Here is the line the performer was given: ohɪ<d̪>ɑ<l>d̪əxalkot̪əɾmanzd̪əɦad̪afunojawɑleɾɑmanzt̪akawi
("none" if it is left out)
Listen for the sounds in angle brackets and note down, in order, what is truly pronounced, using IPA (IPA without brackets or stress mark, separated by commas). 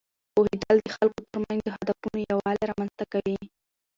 d̪, l